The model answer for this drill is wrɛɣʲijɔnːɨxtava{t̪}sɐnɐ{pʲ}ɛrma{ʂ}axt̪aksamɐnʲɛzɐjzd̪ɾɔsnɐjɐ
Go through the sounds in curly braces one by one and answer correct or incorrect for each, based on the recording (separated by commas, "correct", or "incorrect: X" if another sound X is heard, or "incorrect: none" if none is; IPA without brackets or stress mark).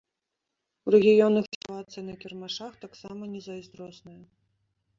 correct, incorrect: kʲ, correct